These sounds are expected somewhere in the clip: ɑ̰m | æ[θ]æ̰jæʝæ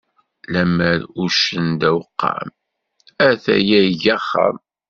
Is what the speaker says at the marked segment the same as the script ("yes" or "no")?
yes